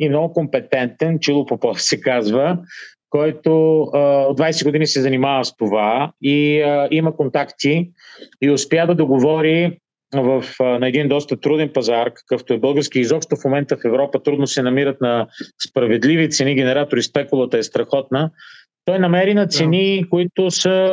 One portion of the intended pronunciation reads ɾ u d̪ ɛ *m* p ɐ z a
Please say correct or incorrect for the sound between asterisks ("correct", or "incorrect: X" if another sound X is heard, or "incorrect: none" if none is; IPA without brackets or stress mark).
incorrect: n